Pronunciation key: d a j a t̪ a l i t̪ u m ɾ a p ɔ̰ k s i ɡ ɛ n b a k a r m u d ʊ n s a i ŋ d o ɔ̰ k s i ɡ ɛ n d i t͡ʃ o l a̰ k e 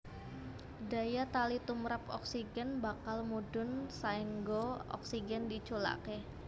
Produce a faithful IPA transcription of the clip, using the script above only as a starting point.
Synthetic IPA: d a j a t̪ a l i t̪ u m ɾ a p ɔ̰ k s i ɡ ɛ n b a k a l m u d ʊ n s a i ŋ ɡ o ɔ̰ k s i ɡ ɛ n d i t͡ʃ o l a̰ k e